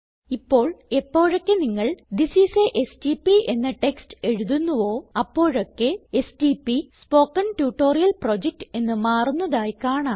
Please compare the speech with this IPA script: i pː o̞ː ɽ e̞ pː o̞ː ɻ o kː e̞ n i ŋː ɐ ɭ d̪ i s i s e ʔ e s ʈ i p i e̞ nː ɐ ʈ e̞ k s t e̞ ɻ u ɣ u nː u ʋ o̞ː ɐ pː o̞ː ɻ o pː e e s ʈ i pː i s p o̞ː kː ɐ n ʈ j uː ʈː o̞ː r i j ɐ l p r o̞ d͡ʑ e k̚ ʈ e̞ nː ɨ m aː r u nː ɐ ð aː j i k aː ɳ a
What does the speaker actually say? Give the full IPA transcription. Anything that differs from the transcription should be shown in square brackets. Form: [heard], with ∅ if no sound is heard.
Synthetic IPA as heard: i pː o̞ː [ɭ] e̞ pː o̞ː ɻ o kː e̞ n i ŋː ɐ ɭ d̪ i s i s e ʔ e s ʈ i p i e̞ nː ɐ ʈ e̞ k s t e̞ ɻ u [ð] u nː u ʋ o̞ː ɐ pː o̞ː ɻ o [kː] e e s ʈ i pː i s p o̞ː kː ɐ n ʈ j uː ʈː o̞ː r i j ɐ l p r o̞ d͡ʑ e k̚ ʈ e̞ nː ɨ m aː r u nː ɐ ð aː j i k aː ɳ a